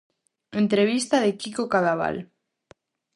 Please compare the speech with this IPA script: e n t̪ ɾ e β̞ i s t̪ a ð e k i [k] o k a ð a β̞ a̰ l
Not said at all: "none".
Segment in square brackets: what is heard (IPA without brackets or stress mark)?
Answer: k